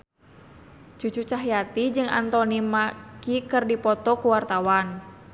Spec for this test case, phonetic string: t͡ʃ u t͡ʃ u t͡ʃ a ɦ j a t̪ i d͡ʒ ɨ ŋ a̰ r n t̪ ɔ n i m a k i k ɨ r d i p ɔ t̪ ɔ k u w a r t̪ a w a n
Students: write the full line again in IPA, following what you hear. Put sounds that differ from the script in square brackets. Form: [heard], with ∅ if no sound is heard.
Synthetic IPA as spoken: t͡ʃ u t͡ʃ u t͡ʃ a ɦ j a t̪ i d͡ʒ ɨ ŋ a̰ [∅] n t̪ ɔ n i m a k i k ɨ r d i p ɔ t̪ ɔ k u w a r t̪ a w a n

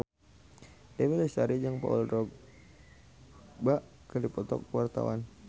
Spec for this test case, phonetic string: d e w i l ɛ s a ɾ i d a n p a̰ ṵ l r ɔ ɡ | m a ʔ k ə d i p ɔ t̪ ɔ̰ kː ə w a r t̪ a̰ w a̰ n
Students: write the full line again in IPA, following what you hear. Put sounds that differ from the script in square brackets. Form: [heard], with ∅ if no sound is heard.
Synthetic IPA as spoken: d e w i l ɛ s a ɾ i [d͡ʒ] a [ŋ] p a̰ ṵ l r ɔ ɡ | [b] a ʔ k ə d i p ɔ t̪ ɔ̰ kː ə w a r t̪ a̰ w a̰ n

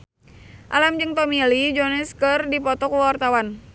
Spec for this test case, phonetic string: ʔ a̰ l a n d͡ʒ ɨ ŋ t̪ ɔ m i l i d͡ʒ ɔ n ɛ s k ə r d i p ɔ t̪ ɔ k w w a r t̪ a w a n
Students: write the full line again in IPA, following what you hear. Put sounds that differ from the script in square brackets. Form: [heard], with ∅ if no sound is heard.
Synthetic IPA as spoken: ʔ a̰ l a [m] d͡ʒ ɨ ŋ t̪ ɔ m i l i d͡ʒ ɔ n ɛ s k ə r d i p ɔ t̪ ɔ k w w a r t̪ a w a n

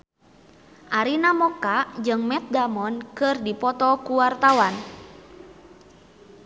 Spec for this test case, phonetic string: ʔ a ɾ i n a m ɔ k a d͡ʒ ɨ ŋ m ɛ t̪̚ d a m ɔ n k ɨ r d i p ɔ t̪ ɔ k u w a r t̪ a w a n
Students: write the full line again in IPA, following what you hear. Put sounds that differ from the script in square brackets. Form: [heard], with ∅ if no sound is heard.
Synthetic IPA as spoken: ʔ a ɾ i n a m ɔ k a d͡ʒ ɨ ŋ m ɛ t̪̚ d a m ɔ n k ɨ r d i p ɔ t̪ ɔ k u w a r t̪ a w a n

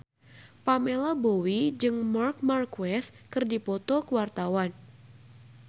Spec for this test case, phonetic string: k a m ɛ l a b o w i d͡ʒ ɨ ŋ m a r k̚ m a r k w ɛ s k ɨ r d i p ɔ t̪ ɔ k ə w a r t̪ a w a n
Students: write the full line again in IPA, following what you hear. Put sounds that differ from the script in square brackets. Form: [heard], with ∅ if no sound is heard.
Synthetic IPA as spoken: [p] a m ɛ l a b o w i d͡ʒ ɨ ŋ m a r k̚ m a r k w ɛ s k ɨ r d i p ɔ t̪ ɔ k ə w a r t̪ a w a n

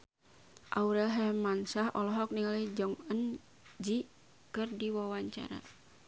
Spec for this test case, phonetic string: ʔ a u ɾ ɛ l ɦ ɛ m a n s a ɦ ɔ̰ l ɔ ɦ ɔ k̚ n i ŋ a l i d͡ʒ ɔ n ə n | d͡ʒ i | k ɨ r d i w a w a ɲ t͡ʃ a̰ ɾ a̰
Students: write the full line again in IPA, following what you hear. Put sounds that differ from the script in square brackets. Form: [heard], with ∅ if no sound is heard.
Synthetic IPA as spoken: ʔ a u ɾ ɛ l ɦ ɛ m a n s a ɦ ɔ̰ l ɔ ɦ ɔ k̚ n i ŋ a l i d͡ʒ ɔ [ŋ] ə n | d͡ʒ i | k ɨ r d i w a w a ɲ t͡ʃ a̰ ɾ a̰

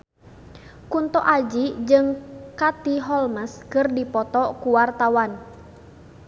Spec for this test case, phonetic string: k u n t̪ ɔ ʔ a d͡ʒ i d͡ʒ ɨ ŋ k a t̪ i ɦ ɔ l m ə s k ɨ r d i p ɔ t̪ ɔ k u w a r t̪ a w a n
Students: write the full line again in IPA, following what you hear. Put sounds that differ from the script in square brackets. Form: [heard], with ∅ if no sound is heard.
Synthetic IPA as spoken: k u n t̪ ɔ ʔ a d͡ʒ i d͡ʒ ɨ ŋ k a t̪ i ɦ ɔ l m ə s k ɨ r d i p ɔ t̪ ɔ k u w a r t̪ a w a n

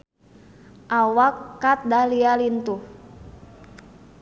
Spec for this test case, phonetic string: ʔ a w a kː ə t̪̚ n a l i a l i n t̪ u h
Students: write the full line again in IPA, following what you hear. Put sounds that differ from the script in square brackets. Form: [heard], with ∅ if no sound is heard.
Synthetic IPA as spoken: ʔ a w a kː [a] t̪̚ [d] a l i a l i n t̪ u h

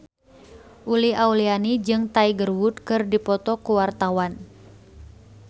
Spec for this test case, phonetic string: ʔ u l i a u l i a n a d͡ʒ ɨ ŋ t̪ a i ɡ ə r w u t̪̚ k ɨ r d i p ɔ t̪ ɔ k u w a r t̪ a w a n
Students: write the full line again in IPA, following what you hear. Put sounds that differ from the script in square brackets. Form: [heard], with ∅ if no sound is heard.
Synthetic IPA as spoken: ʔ u l i a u l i a n [i] d͡ʒ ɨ ŋ t̪ a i ɡ ə r w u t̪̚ k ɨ r d i p ɔ t̪ ɔ k u w a r t̪ a w a n

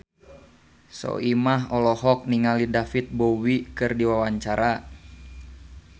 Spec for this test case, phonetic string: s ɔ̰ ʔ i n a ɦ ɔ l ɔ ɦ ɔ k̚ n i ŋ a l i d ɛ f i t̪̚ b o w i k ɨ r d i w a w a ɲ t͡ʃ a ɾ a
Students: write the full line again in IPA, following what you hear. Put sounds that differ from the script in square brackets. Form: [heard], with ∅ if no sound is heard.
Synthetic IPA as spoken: s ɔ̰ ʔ i [m] a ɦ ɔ l ɔ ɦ ɔ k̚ n i ŋ a l i d [a] f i t̪̚ b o w i k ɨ r d i w a w a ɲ t͡ʃ a ɾ a

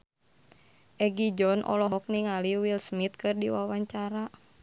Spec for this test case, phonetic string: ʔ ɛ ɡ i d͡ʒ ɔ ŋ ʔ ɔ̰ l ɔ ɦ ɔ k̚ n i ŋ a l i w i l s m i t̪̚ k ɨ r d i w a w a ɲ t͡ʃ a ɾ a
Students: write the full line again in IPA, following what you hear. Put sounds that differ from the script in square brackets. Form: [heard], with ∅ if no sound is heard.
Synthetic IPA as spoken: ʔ ɛ ɡ i d͡ʒ ɔ [n] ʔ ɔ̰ l ɔ ɦ ɔ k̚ n i ŋ a l i w i l s m i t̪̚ k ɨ r d i w a w a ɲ t͡ʃ a ɾ a

